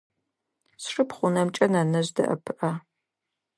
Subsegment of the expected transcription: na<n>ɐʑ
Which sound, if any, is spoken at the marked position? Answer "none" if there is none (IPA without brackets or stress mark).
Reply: n